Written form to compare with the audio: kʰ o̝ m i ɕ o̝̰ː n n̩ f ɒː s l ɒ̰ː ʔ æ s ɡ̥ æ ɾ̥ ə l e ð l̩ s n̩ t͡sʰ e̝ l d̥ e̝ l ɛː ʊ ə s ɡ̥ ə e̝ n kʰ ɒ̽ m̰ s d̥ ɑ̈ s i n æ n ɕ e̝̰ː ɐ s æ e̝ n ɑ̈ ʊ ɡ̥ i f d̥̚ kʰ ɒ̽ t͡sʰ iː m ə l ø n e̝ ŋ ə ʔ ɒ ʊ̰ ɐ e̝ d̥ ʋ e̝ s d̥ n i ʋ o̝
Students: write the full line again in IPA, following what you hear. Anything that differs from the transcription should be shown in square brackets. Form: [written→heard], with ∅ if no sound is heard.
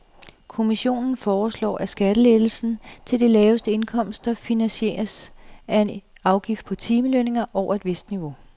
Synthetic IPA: kʰ o̝ m i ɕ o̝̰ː n n̩ f ɒː s l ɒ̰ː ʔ æ s ɡ̥ æ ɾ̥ ə l e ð l̩ s n̩ t͡sʰ e̝ l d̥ e̝ l ɛː ʊ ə s [ɡ̥→d̥] ə e̝ n kʰ ɒ̽ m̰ s d̥ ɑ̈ [s→f] i n æ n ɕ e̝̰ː ɐ s æ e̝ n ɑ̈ ʊ ɡ̥ i f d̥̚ [kʰ→pʰ] ɒ̽ t͡sʰ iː m ə l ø n e̝ ŋ [ə→ɐ] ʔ ɒ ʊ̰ ɐ e̝ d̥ ʋ e̝ s d̥ n i ʋ o̝

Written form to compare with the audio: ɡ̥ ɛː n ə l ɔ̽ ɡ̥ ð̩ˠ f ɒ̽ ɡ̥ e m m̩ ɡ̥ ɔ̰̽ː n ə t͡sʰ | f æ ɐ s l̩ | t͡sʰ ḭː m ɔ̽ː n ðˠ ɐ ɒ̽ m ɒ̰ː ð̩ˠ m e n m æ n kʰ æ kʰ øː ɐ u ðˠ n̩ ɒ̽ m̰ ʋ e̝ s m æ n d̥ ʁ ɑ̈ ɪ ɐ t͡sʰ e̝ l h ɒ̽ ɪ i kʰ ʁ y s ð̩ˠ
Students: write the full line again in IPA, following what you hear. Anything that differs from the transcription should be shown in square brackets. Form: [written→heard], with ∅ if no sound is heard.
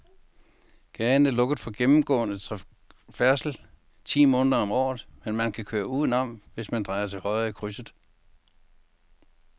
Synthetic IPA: ɡ̥ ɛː n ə l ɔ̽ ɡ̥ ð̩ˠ f ɒ̽ ɡ̥ e m m̩ ɡ̥ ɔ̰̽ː n ə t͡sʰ | f æ ɐ s l̩ | t͡sʰ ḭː m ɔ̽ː n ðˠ ɐ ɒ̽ m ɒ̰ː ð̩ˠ m e n m æ n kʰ æ kʰ øː ɐ u ðˠ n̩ ɒ̽ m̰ ʋ e̝ s m æ n d̥ ʁ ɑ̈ ɪ ɐ t͡sʰ e̝ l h ɒ̽ ɪ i kʰ ʁ y s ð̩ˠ

